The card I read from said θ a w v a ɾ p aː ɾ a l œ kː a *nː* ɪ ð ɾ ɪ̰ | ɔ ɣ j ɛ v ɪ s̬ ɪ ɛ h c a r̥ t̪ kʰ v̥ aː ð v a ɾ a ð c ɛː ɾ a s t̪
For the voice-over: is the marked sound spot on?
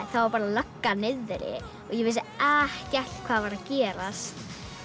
no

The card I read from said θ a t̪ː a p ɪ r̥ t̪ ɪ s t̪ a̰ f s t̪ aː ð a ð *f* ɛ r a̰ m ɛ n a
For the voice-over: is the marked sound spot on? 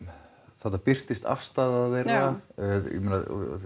no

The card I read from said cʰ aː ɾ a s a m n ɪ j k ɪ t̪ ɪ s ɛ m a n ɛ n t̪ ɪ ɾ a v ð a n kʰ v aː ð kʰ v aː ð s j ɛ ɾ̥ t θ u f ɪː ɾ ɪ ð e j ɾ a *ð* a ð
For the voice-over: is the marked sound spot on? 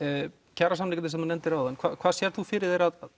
yes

